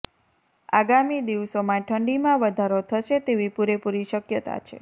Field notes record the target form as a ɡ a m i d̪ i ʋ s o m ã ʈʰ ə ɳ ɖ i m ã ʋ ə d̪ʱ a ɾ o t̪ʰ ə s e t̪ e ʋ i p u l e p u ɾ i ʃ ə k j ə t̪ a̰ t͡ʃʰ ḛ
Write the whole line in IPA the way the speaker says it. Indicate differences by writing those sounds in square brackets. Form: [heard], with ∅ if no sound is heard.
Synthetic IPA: a ɡ a m i d̪ i ʋ s o m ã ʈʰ ə ɳ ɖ i m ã ʋ ə d̪ʱ a ɾ o t̪ʰ ə [ʃ] e t̪ e ʋ i p u [ɾ] e p u ɾ i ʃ ə k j ə t̪ a̰ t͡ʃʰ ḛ

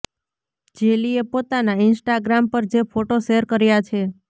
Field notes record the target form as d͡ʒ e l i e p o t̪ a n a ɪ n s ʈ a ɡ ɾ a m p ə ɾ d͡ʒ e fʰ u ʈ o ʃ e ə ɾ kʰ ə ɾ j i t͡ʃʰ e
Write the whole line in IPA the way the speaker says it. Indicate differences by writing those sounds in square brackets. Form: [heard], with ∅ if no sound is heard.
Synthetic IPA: d͡ʒ e l i e p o t̪ a n a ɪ n s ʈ a ɡ ɾ a m p ə ɾ d͡ʒ e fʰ [o] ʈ o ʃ e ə ɾ [k] ə ɾ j [a] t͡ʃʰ e

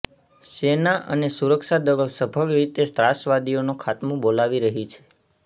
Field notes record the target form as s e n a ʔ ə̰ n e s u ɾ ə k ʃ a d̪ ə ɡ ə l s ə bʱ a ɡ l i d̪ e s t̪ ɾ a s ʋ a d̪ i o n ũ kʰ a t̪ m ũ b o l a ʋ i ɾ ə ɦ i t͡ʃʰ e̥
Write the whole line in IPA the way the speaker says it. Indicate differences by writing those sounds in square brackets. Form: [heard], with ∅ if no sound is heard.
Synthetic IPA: s e n a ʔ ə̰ n e s u ɾ ə k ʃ a d̪ ə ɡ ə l s ə bʱ [ə] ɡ [ɾ] i [t̪] e s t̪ ɾ a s ʋ a d̪ i o n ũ kʰ a t̪ m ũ b o l a ʋ i ɾ ə ɦ i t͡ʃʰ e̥

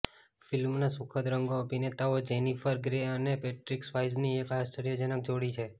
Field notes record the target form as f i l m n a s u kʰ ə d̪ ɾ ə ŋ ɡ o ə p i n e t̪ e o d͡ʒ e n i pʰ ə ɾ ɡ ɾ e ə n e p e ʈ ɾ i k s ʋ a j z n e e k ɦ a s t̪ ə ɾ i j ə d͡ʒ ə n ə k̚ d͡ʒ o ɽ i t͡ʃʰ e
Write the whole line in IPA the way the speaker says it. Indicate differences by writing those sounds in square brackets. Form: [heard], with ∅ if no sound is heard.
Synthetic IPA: f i l m n a s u kʰ ə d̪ ɾ ə ŋ ɡ o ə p i n e t̪ [a] o d͡ʒ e n i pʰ ə ɾ ɡ ɾ e ə n e p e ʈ ɾ i k s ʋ a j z n [i] e k ɦ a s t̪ ə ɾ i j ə d͡ʒ ə n ə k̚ d͡ʒ o ɽ i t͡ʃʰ e

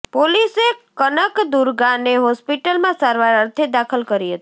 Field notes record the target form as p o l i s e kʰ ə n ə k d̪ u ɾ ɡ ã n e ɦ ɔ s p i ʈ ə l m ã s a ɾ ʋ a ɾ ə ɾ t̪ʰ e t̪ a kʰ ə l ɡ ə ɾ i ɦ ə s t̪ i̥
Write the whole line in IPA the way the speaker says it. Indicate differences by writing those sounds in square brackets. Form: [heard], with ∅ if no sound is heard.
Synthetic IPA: p o l i s e [k] ə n ə k d̪ u ɾ ɡ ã n e ɦ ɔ s p i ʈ ə l m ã s a ɾ ʋ a ɾ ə ɾ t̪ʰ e [d̪] a kʰ ə l [k] ə ɾ i ɦ ə [∅] t̪ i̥

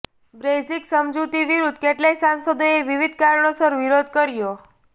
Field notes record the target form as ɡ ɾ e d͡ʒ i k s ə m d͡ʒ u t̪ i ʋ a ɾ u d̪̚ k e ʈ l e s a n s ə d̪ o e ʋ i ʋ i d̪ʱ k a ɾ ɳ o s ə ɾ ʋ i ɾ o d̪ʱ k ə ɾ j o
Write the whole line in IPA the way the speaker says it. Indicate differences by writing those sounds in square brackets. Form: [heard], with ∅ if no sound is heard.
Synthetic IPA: [b] ɾ e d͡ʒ i k s ə m d͡ʒ u t̪ i ʋ [i] ɾ u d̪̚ k e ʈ l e s a n s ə d̪ o e ʋ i ʋ i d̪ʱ k a ɾ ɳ o s ə ɾ ʋ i ɾ o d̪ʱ k ə ɾ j o

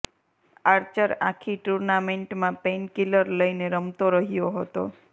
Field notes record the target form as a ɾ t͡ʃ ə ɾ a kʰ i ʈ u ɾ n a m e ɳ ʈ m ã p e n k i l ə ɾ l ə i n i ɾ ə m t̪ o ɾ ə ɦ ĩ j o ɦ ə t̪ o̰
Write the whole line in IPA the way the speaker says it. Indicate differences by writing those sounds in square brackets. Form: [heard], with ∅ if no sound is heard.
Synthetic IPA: a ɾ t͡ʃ ə ɾ a kʰ i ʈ u ɾ n a m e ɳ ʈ m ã p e n k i l ə ɾ l ə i n [e] ɾ ə m t̪ o ɾ ə ɦ [i] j o ɦ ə t̪ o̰

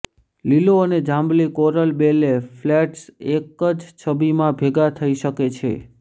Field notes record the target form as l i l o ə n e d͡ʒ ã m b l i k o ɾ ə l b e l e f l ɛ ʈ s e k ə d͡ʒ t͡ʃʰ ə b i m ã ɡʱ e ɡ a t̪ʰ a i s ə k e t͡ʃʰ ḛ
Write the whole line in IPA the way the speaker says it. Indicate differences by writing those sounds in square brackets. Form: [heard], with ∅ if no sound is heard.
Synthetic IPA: l i l o ə n e d͡ʒ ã m b l i k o ɾ ə l b e l e f l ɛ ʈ s e k ə d͡ʒ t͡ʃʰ ə b i m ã [bʱ] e ɡ a t̪ʰ [ə] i [ʃ] ə k e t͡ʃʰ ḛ

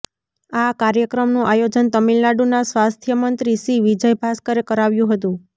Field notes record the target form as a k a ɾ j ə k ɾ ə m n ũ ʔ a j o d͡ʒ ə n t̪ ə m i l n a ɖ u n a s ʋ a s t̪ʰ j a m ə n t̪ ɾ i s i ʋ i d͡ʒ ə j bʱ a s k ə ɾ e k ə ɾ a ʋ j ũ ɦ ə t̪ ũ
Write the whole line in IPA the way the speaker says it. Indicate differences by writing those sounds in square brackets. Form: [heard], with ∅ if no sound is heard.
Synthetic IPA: a k a ɾ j ə k ɾ ə m n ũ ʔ a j o d͡ʒ ə n t̪ ə m i l n a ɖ u n a s ʋ a s t̪ʰ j [ə] m ə n t̪ ɾ i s i ʋ i d͡ʒ ə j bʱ a s k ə ɾ e k ə ɾ a ʋ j ũ ɦ ə t̪ ũ

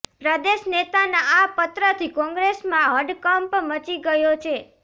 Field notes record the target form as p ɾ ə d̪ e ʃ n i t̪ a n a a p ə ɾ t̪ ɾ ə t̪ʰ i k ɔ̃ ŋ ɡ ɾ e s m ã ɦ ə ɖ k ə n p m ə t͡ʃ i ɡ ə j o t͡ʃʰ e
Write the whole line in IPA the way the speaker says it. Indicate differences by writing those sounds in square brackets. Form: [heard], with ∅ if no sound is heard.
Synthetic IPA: p ɾ ə d̪ e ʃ n [e] t̪ a n a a p ə [∅] t̪ ɾ ə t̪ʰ i k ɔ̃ ŋ ɡ ɾ e s m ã ɦ ə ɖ k ə [m] p m ə t͡ʃ i ɡ ə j o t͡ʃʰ e

